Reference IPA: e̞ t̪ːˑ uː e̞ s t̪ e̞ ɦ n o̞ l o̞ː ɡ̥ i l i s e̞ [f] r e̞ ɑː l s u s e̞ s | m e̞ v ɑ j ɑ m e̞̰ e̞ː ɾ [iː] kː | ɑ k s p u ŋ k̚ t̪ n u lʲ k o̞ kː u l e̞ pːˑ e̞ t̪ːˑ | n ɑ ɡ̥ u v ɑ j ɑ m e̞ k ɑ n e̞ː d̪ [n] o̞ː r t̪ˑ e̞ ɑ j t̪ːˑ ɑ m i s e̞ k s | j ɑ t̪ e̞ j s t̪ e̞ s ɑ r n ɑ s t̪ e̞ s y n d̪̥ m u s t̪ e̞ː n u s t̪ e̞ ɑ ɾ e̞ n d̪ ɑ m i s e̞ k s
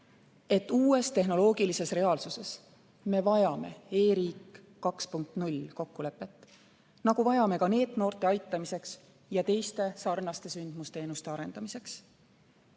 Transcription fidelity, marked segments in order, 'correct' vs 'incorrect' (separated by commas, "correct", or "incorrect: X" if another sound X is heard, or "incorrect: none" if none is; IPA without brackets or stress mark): incorrect: s, correct, correct